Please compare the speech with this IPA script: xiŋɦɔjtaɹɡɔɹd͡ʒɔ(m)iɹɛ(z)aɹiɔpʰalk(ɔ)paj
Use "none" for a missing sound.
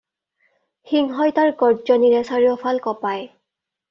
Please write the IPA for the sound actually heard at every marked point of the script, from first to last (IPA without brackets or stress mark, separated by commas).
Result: n, s, ɔ